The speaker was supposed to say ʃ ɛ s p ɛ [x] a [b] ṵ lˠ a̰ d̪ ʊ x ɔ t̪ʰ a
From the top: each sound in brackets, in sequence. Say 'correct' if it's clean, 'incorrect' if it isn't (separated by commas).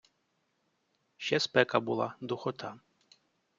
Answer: incorrect, correct